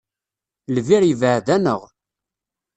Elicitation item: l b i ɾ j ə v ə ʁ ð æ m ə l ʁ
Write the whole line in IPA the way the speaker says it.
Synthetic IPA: l v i ɾ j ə v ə ʕ ð æ n ə ʁ